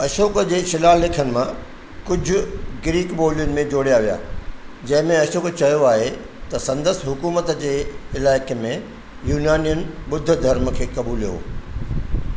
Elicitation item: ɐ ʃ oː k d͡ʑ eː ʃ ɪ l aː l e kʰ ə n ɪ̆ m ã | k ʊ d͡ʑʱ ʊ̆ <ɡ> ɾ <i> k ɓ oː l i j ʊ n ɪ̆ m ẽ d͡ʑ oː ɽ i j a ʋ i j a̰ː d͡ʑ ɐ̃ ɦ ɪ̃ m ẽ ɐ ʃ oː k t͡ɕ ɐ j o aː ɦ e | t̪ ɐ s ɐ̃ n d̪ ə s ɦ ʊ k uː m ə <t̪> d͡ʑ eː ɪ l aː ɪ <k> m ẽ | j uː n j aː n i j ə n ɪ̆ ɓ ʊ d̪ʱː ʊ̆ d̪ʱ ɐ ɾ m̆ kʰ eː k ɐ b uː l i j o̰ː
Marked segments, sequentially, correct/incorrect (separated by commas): correct, incorrect, correct, correct